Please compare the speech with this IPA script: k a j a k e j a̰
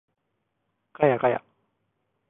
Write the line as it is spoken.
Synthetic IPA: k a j a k a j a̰